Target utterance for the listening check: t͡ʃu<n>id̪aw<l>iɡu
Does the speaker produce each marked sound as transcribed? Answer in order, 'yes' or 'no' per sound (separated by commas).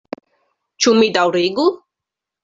no, no